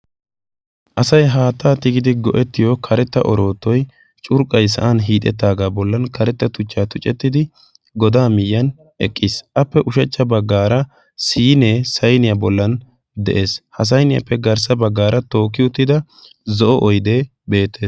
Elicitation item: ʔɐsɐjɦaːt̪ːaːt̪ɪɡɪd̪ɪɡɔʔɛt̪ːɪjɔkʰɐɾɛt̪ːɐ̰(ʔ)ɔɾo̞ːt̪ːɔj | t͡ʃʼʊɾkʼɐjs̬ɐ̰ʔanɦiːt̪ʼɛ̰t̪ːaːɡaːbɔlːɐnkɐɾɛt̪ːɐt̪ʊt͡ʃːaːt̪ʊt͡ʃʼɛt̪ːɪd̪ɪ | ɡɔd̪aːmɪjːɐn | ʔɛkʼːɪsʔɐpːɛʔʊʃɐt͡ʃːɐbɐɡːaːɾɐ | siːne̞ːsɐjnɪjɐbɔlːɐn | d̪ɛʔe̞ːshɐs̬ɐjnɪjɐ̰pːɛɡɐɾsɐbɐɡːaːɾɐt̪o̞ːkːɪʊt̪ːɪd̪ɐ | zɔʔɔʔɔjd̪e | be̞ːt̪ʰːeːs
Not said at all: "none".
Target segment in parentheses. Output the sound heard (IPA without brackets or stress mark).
ʔ